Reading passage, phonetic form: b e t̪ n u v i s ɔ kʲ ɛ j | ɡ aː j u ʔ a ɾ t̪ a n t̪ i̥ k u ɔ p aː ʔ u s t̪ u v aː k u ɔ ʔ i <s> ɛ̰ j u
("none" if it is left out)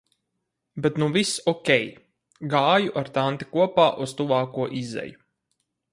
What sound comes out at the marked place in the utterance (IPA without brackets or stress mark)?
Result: z